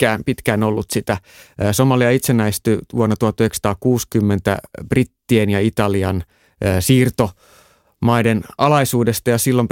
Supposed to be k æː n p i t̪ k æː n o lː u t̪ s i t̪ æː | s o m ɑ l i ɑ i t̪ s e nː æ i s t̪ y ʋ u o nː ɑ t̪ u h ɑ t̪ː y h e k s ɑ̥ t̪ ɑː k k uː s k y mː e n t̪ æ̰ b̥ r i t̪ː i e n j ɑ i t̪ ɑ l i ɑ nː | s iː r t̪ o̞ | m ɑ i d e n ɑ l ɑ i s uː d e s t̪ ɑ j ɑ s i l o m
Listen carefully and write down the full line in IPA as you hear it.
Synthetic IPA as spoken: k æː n p i t̪ k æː n o lː u t̪ s i t̪ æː | s o m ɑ l i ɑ i t̪ s e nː æ i s t̪ y ʋ u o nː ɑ t̪ u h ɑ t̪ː y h e k s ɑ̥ t̪ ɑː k k uː s k y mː e n t̪ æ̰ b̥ r i t̪ː i e n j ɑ i t̪ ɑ l i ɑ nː | s iː r t̪ o̞ | m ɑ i d e n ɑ l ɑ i s uː d e s t̪ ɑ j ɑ s i lː o m